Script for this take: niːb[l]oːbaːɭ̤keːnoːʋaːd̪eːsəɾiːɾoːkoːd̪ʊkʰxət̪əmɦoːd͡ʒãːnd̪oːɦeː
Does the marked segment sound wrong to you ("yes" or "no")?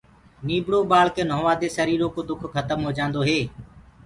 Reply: yes